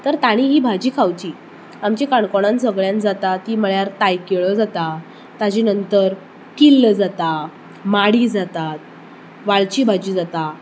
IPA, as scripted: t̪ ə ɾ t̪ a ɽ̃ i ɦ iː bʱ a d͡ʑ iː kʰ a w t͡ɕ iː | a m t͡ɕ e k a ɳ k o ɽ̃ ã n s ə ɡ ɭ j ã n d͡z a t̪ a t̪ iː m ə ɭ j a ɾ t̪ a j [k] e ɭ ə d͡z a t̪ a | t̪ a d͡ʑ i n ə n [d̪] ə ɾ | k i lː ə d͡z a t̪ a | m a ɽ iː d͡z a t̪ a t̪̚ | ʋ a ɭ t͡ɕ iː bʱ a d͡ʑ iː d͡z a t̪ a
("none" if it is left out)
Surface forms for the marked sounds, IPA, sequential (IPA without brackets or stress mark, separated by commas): k, t̪